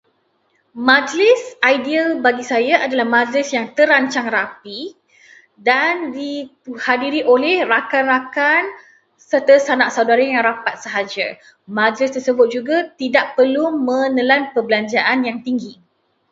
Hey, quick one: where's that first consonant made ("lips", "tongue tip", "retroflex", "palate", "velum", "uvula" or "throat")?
lips